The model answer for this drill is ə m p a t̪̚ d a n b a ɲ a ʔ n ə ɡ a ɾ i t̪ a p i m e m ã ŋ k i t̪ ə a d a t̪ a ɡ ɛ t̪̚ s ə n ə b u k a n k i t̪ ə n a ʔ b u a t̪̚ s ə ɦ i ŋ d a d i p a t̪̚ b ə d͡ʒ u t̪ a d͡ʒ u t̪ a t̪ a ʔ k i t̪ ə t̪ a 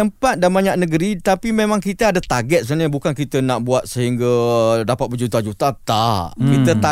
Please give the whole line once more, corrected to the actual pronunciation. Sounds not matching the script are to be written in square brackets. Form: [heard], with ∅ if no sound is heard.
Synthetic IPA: ə m p a t̪̚ d a n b a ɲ a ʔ n ə ɡ [ə] ɾ i t̪ a p i m e m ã ŋ k i t̪ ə a d a t̪ a ɡ ɛ t̪̚ s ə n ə b u k a n k i t̪ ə n a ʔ b u a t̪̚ s ə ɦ i ŋ [ɡ] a d [a] p a t̪̚ b ə d͡ʒ u t̪ a d͡ʒ u t̪ a t̪ a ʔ k i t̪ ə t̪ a